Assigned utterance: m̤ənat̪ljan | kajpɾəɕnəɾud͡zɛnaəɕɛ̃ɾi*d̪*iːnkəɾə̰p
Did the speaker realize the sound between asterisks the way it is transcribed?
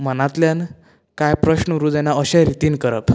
no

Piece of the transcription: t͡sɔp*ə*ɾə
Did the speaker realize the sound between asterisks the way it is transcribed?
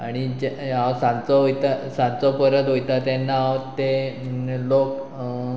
yes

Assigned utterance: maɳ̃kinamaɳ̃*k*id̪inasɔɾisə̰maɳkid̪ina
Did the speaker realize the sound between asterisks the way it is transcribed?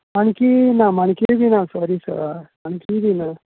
yes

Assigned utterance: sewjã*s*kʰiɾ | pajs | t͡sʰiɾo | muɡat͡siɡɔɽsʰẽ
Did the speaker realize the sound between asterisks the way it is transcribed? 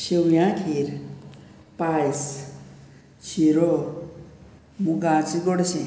no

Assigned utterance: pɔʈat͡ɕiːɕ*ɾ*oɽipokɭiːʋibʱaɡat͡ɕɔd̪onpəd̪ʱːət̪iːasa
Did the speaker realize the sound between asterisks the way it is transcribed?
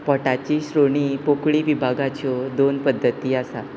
yes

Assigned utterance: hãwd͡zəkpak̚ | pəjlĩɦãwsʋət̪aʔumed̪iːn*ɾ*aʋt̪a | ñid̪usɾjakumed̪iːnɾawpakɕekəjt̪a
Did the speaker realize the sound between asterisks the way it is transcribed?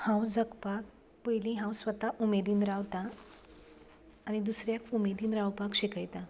yes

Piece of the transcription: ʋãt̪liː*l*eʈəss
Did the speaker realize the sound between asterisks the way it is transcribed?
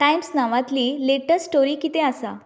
yes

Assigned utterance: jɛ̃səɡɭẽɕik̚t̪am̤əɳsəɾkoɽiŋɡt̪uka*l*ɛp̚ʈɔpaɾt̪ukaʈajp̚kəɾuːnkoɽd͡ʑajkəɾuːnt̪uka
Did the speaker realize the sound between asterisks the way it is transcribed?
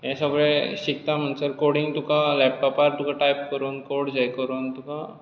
yes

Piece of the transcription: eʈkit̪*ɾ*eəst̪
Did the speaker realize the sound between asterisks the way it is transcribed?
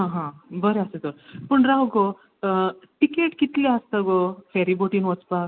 no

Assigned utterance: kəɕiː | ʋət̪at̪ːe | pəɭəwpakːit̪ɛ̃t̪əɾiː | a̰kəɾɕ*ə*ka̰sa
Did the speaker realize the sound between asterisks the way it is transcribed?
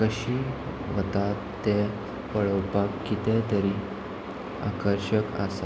yes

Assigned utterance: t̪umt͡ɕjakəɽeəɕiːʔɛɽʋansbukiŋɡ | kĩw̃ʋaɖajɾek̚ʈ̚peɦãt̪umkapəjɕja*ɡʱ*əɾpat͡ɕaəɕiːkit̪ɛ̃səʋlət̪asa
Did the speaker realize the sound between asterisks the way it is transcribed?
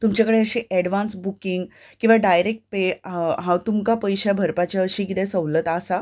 no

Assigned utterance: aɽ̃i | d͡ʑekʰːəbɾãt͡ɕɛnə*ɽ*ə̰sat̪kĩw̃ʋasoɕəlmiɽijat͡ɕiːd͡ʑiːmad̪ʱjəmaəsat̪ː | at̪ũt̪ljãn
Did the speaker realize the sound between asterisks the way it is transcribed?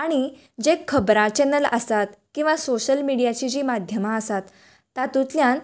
no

